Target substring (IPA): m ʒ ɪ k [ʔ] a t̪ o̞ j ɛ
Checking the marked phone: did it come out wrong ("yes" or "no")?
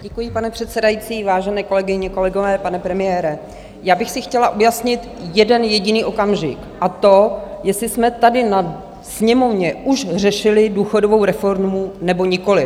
no